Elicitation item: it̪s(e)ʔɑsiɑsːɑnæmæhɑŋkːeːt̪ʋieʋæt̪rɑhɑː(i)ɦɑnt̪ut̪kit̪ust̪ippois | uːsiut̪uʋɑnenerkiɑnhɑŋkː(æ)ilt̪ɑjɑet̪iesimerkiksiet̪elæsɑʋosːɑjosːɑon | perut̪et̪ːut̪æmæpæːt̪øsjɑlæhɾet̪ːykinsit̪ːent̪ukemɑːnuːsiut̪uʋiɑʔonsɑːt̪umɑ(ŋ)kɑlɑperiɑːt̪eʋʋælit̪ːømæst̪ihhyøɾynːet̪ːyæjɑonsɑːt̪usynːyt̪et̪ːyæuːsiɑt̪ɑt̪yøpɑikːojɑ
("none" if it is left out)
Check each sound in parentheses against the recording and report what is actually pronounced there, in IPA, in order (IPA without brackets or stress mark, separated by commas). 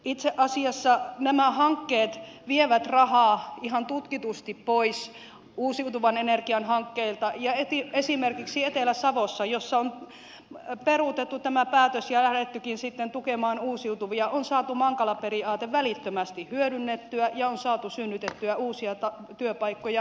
e, i, e, ŋ